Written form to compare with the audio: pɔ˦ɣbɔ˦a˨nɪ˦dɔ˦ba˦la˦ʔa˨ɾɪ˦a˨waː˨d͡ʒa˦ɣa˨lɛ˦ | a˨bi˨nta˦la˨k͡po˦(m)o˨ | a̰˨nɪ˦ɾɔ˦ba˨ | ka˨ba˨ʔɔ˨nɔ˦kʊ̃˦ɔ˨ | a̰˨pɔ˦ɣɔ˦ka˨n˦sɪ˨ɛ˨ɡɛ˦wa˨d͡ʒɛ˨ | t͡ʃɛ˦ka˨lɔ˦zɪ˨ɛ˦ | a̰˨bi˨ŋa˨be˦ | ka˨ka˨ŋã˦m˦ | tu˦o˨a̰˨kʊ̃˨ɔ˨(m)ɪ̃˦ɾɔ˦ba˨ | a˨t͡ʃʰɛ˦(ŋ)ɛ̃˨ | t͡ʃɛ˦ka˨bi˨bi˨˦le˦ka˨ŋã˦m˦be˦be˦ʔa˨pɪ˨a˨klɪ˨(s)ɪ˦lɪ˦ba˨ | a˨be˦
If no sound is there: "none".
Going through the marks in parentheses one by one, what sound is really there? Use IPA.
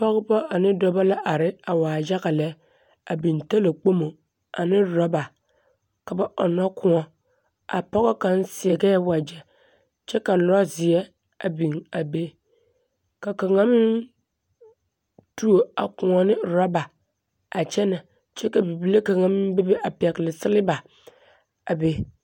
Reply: m, n, n, s

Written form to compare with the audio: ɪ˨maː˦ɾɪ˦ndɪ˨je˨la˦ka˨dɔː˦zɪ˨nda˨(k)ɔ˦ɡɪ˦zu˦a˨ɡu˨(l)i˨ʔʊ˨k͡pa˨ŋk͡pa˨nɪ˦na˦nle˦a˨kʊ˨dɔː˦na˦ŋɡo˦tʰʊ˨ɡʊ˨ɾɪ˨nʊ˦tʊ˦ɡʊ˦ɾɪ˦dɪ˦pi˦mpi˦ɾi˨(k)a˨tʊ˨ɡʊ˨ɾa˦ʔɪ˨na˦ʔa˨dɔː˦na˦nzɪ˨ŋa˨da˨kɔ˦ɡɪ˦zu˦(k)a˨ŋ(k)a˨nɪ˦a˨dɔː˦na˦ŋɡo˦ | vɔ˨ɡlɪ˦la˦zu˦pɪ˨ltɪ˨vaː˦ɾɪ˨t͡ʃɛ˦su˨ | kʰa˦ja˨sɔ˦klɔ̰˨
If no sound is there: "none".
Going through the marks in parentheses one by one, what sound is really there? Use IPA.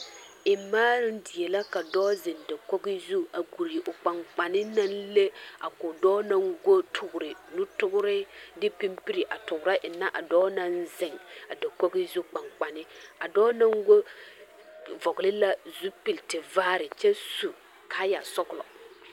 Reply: k, ɾ, ʔ, k͡p, k͡p

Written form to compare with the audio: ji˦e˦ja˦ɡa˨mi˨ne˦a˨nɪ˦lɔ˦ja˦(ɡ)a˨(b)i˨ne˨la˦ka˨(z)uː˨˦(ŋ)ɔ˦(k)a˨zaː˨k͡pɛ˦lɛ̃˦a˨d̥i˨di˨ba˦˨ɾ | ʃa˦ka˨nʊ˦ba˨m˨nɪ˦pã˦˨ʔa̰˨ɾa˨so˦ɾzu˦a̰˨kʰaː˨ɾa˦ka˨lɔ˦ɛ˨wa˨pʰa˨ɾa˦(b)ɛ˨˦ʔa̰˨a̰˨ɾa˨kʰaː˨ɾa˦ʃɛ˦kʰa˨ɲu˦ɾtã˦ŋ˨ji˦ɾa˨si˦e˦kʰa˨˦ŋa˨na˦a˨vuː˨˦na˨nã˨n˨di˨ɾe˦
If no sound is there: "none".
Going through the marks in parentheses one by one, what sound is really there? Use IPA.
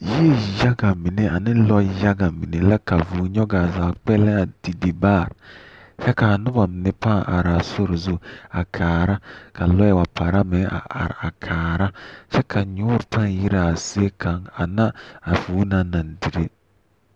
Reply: ɡ, m, v, ɲ, ɡ, m

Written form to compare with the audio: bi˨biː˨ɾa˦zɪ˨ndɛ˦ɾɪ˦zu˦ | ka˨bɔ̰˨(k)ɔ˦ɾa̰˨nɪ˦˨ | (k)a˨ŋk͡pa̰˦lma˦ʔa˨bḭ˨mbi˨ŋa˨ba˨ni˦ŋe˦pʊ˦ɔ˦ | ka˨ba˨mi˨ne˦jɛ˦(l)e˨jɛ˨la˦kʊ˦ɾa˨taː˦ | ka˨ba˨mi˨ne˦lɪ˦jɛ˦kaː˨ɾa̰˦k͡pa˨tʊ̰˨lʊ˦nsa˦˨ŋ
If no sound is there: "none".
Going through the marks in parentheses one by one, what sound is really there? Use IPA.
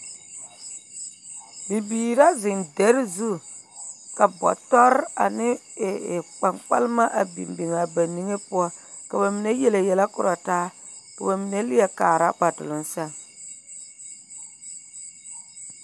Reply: t, k͡p, l

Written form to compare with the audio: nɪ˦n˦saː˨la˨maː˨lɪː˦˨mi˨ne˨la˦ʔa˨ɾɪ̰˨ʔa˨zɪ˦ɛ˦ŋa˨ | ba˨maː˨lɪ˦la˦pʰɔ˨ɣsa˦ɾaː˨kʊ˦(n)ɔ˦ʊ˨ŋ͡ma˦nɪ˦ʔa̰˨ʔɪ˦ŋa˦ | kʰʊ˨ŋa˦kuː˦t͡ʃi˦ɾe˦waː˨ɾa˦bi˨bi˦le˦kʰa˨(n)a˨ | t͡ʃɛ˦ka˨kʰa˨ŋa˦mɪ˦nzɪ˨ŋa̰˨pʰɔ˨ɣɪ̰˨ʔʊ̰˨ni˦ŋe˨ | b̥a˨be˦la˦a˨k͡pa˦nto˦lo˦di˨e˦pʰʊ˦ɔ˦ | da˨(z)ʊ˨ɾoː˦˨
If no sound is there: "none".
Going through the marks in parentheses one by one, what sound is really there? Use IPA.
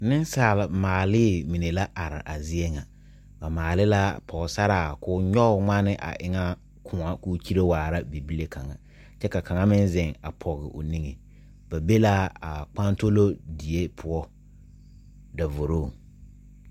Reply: ɲ, ŋ, v

